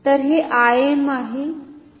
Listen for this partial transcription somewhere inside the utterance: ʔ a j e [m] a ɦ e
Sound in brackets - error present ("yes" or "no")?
no